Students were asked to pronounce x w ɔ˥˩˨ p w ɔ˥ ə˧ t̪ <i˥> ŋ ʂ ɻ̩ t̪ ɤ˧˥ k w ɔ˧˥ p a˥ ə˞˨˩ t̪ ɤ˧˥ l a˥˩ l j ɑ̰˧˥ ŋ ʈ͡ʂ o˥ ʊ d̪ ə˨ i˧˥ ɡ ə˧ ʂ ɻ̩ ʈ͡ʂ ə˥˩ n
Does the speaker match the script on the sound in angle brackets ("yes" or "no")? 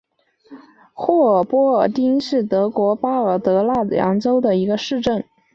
yes